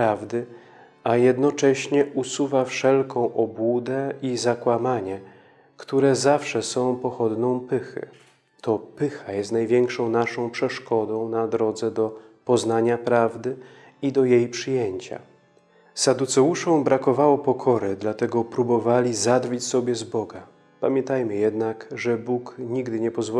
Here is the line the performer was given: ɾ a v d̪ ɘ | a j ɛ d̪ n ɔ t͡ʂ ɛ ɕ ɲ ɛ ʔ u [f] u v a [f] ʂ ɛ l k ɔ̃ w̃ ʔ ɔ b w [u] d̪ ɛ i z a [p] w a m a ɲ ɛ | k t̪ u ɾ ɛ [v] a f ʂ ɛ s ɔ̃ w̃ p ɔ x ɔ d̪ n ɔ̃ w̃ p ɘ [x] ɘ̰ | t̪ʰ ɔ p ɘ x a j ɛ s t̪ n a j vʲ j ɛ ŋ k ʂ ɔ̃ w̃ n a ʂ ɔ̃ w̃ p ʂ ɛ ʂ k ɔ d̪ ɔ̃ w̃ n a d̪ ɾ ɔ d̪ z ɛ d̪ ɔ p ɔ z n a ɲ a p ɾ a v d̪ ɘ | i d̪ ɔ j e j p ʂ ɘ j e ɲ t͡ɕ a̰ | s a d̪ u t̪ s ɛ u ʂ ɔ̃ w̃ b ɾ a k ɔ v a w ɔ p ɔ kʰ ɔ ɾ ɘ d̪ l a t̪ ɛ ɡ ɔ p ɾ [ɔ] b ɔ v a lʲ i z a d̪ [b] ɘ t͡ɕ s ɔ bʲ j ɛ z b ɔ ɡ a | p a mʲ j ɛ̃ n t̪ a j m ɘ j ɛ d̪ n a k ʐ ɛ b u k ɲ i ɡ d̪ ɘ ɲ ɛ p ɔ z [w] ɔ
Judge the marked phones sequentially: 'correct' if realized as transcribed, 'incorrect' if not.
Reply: incorrect: s, correct, correct, incorrect: k, incorrect: z, correct, incorrect: u, incorrect: v, incorrect: v

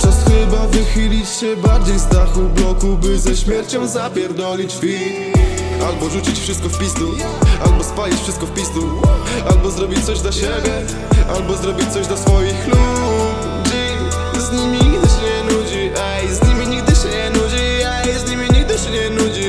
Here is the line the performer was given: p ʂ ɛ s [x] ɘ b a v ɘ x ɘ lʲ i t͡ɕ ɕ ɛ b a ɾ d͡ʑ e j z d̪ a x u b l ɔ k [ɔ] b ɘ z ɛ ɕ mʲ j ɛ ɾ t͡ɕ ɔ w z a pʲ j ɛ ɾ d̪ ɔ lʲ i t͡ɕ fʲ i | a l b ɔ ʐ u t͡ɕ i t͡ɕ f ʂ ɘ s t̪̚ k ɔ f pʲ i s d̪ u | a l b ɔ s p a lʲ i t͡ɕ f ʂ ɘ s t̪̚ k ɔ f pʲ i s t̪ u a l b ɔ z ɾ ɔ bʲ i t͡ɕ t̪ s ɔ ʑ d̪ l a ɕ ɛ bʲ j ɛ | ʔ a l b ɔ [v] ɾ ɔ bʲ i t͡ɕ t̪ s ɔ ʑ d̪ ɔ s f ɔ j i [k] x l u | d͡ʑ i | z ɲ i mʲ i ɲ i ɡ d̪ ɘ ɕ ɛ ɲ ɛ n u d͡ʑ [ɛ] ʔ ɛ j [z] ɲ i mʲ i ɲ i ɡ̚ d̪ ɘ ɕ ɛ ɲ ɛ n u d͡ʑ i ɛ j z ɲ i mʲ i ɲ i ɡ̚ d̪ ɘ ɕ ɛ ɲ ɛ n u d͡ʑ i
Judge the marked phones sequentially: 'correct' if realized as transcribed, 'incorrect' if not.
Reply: correct, incorrect: u, incorrect: z, incorrect: x, incorrect: i, correct

